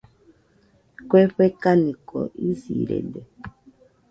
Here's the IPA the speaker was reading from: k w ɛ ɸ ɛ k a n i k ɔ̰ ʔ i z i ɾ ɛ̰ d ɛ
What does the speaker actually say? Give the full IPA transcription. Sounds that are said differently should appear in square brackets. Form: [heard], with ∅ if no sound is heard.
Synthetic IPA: k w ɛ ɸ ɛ k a n i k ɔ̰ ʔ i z i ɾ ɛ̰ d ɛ